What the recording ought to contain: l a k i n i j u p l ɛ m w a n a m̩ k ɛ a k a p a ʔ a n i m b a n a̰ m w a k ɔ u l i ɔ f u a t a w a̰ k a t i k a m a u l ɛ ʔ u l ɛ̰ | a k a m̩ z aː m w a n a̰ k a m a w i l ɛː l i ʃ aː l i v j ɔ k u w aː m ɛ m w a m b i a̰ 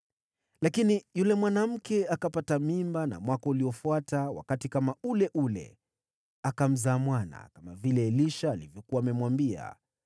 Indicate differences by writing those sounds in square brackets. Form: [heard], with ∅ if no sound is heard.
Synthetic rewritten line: l a k i n i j u [∅] l ɛ m w a n a m̩ k ɛ a k a p a [t] a [m] i m b a n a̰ m w a k ɔ u l i ɔ f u a t a w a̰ k a t i k a m a u l ɛ ʔ u l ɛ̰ | a k a m̩ z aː m w a n a̰ k a m a [v] i l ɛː l i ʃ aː l i v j ɔ k u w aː m ɛ m w a m b i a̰